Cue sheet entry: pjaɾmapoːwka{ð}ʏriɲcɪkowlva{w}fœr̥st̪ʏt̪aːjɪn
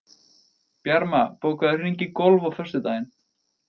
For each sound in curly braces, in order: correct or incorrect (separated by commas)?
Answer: correct, correct